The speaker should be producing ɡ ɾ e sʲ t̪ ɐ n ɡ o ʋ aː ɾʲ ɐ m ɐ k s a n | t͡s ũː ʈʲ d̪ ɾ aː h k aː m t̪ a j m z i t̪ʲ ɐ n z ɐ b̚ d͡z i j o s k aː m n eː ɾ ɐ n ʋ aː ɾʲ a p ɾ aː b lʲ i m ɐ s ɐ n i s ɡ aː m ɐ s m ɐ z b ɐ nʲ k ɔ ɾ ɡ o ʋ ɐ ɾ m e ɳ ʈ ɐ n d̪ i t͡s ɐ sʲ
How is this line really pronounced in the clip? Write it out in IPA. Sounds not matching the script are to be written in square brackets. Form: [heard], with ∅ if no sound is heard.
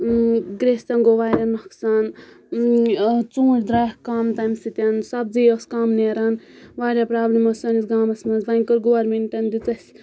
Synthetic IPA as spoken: ɡ ɾ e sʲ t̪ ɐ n ɡ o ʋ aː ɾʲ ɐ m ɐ k s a n | t͡s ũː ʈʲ d̪ ɾ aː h k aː m t̪ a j m [s] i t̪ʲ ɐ n [s] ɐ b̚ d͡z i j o s k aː m n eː ɾ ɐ n ʋ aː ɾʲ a p ɾ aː b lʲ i m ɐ s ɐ n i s ɡ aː m ɐ s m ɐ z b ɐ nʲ k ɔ ɾ ɡ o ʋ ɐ ɾ m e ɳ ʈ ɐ n d̪ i t͡s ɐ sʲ